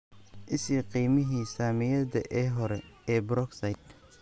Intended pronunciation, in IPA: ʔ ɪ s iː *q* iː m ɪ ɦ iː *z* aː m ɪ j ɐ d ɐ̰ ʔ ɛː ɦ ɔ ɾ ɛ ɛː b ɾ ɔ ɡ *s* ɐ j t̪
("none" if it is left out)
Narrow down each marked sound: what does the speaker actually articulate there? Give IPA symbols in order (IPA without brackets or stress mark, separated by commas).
q, s, s